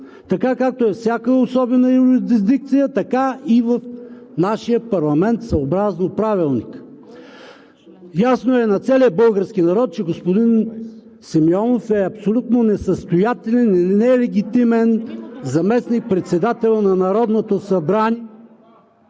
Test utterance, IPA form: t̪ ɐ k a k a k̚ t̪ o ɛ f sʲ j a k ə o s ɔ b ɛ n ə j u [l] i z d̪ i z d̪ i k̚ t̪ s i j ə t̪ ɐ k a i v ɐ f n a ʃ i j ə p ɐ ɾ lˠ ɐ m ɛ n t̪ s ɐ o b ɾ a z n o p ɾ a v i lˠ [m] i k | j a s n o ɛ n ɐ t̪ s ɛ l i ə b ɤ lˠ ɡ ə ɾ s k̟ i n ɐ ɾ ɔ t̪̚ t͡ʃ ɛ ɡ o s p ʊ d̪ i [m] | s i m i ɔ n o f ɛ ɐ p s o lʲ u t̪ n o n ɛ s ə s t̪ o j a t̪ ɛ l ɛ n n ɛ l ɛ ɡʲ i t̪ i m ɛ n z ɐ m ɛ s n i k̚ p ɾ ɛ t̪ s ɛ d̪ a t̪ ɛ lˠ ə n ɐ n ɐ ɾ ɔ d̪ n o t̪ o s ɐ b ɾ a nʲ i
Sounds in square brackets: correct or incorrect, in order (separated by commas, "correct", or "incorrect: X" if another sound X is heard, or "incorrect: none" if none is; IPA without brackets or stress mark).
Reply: incorrect: ɾ, incorrect: n, incorrect: n